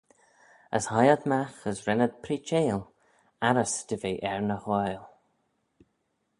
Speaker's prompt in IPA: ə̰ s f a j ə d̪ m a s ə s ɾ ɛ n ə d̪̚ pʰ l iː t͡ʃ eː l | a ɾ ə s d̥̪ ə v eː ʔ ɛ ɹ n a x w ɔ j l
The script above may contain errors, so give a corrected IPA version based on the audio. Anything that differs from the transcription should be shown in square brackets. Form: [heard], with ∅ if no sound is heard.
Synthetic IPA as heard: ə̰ s [h] a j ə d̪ m a [x] ə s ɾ ɛ n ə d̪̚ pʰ [ɾ] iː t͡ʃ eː l | a ɾ ə s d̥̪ ə v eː ʔ ɛ ɹ n [ə] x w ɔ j l